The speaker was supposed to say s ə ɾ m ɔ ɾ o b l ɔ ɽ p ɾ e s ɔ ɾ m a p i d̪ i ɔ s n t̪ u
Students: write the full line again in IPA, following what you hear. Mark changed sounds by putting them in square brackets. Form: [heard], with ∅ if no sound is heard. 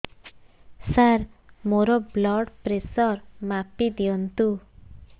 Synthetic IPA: s [a] ɾ m [o] ɾ [ɔ] b l ɔ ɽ p ɾ e s ɔ ɾ m a p i d̪ i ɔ [∅] n t̪ u